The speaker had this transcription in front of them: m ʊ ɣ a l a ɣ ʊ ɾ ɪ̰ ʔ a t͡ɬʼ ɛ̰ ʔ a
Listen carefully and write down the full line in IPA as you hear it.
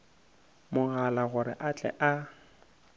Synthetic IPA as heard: m ʊ ɣ a l a ɣ ʊ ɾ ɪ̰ ʔ a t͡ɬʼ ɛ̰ ʔ a